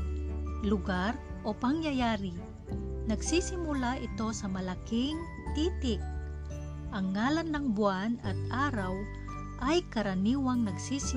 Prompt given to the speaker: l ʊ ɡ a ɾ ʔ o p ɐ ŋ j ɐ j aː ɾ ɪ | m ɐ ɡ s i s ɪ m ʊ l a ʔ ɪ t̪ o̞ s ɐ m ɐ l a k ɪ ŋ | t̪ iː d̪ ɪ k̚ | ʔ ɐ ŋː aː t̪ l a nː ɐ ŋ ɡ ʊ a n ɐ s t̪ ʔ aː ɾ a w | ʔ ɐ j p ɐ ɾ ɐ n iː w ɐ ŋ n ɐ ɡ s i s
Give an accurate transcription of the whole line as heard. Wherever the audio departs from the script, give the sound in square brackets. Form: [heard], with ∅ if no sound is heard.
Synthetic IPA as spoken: l ʊ ɡ a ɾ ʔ o p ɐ ŋ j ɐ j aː ɾ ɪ | [n] ɐ ɡ s i s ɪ m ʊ l a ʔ ɪ t̪ o̞ s ɐ m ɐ l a k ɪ ŋ | t̪ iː [t̪] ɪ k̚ | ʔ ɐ ŋː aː [∅] l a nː ɐ ŋ [b] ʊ a n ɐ [∅] t̪ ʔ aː ɾ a w | ʔ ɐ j [k] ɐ ɾ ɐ n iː w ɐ ŋ n ɐ ɡ s i s